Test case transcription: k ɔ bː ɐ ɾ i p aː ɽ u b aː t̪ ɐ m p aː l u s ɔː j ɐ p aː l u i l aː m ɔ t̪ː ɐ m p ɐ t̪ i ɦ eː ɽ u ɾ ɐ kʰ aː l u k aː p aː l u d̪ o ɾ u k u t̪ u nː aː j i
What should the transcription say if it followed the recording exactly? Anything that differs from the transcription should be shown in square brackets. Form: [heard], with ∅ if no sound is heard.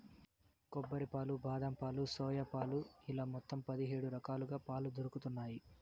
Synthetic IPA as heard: k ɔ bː ɐ ɾ i p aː [l] u b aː [d̪] ɐ m p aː l u s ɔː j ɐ p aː l u i l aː m ɔ t̪ː ɐ m p ɐ [d̪] i ɦ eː ɽ u ɾ ɐ [k] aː l u [ɡ] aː p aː l u d̪ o ɾ u k u t̪ u nː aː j i